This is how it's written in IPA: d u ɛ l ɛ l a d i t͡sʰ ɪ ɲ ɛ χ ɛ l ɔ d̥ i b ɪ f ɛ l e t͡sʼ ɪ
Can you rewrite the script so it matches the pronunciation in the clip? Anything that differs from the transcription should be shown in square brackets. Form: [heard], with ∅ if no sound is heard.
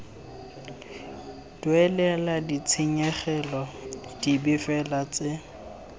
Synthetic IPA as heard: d [w] ɛ l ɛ l a d i t͡sʰ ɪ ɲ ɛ χ ɛ l ɔ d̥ i b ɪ f ɛ l [a] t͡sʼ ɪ

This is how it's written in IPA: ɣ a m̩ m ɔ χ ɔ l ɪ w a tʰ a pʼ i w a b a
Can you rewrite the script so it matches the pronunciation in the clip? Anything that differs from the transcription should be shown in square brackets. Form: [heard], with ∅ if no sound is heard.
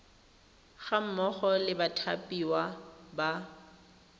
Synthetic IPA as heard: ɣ a m̩ m ɔ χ ɔ l ɪ [b] a tʰ a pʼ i w a b a

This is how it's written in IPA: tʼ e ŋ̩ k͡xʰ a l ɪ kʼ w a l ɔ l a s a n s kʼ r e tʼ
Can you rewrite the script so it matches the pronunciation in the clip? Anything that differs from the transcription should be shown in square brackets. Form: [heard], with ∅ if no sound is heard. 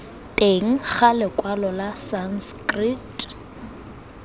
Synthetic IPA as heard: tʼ e ŋ̩ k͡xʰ a l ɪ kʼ w a l ɔ l a s a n s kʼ r [i] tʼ

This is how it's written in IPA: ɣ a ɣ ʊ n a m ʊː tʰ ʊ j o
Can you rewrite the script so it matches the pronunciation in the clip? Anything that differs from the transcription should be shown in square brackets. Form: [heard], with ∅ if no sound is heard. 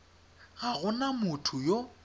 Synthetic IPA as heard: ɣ a ɣ ʊ n a m [ʊ] tʰ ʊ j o

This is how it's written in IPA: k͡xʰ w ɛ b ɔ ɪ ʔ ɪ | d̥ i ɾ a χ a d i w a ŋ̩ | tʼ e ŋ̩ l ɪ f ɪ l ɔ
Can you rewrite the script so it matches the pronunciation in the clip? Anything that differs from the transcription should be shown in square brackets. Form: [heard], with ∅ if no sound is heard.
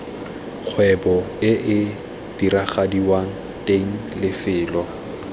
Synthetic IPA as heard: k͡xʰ w ɛ b ɔ ɪ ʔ ɪ | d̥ i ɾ a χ a d i w a ŋ̩ | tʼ e ŋ̩ l ɪ f [ɪː] l ɔ

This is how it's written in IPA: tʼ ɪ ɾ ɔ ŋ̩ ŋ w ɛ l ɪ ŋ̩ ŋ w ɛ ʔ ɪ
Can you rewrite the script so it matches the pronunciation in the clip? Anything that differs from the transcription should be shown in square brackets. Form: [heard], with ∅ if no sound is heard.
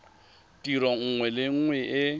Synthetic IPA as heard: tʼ [i] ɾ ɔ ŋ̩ ŋ w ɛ l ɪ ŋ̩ ŋ w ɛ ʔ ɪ

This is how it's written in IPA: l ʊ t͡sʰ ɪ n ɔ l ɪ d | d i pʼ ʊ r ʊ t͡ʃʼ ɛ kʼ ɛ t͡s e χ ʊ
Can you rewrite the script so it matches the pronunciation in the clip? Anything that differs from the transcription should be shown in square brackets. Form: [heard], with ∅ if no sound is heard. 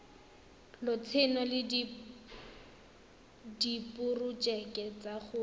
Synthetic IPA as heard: l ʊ t͡sʰ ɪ n ɔ l ɪ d | d i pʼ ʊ r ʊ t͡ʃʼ ɛ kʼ ɛ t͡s [a] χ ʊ

